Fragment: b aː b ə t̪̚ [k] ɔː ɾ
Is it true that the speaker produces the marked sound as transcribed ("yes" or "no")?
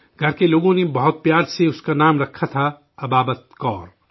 yes